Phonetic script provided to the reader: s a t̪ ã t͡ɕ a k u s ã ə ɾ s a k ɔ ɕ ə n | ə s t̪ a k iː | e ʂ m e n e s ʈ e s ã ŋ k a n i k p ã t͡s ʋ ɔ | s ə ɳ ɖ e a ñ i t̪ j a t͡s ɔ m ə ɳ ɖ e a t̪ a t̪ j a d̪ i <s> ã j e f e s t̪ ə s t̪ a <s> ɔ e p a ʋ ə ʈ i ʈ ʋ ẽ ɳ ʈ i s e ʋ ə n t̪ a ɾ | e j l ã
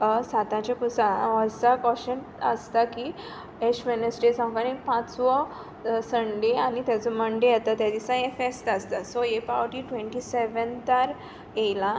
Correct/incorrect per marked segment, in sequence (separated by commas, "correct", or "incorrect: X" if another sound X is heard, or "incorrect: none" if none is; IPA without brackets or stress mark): correct, correct